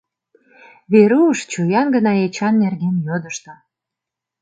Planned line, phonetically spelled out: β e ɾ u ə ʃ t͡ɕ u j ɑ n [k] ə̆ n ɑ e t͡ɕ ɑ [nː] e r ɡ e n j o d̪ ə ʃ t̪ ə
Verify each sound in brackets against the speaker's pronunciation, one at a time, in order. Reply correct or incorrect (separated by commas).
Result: incorrect, correct